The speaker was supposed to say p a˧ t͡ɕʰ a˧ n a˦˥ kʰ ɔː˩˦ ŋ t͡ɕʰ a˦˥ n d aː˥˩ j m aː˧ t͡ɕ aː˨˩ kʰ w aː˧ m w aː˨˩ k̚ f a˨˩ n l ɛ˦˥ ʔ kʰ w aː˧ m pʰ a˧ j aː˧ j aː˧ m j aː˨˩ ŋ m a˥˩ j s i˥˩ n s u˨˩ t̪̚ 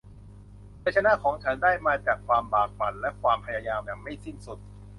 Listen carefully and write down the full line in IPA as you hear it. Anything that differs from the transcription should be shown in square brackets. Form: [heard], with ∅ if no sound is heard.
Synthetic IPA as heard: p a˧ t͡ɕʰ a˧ n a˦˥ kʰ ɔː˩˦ ŋ t͡ɕʰ a˦˥ n d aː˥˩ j m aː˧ t͡ɕ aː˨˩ kʰ w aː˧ m [b] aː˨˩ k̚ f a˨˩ n l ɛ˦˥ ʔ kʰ w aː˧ m pʰ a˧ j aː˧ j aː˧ m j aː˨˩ ŋ m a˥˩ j s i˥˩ n s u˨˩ t̪̚